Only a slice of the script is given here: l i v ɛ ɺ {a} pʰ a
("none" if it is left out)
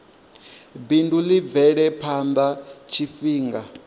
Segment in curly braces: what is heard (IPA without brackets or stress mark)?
ɛ